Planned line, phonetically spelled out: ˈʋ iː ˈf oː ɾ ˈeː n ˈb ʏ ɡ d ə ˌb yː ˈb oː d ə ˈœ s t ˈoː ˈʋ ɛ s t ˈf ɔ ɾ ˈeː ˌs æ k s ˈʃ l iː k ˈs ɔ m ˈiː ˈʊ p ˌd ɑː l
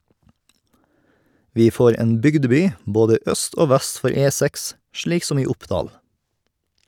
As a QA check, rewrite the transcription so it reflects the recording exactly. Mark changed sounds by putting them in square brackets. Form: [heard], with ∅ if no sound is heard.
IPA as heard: ˈʋ iː ˈf oː ɾ ˈeː n ˈb ʏ ɡ d ə ˌb yː ˈb oː d ə ˈœ s t ˈoː ˈʋ [æ] s t ˈf ɔ ɾ ˈeː ˌs æ k s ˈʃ [ɭ] iː k ˈs ɔ m ˈiː ˈʊ p ˌd ɑː l